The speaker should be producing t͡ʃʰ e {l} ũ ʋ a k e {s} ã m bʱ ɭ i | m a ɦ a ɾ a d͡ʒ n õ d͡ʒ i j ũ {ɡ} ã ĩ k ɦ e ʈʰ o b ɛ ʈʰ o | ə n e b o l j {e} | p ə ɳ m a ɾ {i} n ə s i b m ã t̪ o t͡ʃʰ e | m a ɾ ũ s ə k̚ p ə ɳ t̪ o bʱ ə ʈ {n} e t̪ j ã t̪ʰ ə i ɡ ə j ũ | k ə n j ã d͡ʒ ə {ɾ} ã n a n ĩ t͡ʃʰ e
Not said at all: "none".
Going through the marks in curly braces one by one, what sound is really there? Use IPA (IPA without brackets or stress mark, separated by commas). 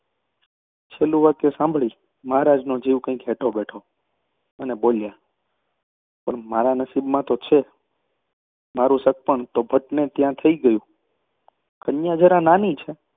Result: l, s, k, a, a, n, ɾ